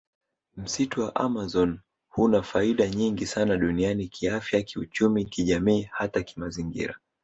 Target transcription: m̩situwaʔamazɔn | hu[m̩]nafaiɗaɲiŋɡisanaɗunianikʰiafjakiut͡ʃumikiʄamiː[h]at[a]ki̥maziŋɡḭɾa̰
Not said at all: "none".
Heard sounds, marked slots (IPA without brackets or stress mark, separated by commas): none, h, a